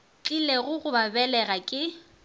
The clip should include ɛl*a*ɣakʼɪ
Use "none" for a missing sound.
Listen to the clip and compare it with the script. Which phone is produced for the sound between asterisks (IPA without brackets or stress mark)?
ɛ